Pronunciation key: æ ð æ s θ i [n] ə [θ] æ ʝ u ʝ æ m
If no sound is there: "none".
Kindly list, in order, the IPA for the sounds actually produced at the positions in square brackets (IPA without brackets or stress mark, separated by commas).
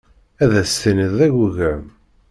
n, ð